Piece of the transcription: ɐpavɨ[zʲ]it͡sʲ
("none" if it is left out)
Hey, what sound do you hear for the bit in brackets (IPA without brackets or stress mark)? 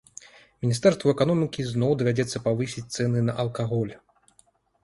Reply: sʲ